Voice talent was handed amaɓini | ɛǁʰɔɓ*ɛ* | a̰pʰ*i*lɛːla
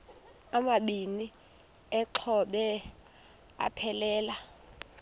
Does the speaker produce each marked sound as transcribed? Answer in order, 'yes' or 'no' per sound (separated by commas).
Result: yes, no